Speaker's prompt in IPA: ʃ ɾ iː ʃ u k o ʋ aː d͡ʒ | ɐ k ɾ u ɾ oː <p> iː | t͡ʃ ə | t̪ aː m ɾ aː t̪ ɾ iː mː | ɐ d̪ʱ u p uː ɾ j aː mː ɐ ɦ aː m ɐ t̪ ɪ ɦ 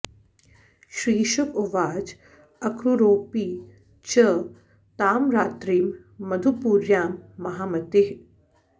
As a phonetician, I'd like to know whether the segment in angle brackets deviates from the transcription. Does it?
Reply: no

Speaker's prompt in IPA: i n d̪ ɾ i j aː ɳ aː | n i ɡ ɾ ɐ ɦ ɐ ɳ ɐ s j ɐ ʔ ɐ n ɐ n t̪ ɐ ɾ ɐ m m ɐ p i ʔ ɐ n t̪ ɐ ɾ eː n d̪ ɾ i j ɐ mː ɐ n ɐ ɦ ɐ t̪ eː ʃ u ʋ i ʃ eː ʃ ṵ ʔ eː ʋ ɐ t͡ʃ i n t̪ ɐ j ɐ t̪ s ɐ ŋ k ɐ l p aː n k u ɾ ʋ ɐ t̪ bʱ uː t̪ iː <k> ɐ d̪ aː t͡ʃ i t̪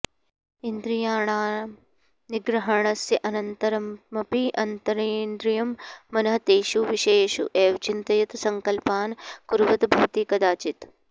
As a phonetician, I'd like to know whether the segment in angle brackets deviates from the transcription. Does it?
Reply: no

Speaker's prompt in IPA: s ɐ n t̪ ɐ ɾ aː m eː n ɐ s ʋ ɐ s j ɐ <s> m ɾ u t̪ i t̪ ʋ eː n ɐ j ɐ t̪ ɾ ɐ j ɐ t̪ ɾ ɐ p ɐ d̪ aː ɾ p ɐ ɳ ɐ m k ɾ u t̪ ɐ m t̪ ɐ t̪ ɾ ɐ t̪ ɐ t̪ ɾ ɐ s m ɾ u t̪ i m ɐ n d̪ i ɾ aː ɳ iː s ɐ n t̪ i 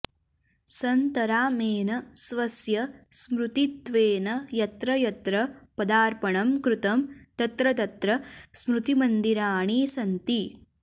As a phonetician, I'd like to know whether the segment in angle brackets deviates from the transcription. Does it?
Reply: no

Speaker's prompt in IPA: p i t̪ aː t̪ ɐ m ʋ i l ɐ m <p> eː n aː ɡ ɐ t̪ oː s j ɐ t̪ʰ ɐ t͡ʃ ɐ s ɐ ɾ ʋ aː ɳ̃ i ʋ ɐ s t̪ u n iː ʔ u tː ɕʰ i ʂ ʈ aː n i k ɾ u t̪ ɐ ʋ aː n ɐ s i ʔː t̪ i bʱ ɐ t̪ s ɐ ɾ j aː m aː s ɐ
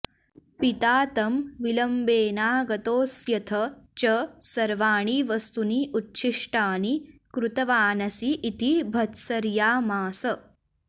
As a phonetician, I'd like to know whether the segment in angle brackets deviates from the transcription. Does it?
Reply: yes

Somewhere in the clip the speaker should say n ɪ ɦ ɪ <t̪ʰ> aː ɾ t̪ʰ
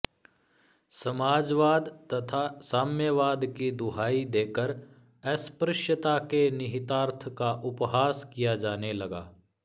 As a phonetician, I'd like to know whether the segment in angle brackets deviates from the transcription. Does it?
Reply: yes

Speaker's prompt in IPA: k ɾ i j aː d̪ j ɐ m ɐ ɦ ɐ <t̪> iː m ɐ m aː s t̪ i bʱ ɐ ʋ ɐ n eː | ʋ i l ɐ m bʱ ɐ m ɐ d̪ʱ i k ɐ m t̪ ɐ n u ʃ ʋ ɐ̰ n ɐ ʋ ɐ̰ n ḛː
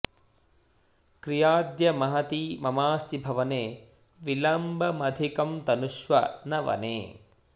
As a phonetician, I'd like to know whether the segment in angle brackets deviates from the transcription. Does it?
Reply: no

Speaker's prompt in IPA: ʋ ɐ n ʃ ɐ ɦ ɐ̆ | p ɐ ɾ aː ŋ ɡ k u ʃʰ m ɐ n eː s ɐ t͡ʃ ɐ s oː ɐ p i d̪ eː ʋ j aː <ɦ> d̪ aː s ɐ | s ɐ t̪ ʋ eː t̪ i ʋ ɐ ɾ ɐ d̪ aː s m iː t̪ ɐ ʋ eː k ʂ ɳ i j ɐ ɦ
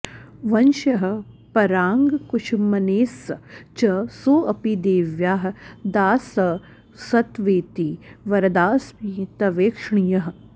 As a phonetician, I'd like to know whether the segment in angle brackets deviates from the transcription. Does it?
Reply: no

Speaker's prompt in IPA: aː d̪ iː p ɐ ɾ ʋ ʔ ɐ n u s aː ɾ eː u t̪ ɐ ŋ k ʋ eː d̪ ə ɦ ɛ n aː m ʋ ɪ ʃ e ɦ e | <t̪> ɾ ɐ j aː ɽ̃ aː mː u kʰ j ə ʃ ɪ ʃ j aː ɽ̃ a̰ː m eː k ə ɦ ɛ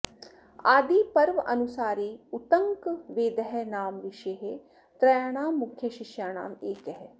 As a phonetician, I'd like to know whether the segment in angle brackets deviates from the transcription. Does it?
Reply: no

